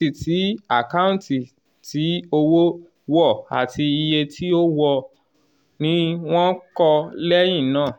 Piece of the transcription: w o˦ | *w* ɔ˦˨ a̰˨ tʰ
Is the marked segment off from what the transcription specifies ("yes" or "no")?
no